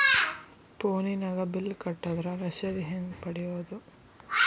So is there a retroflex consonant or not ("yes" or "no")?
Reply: yes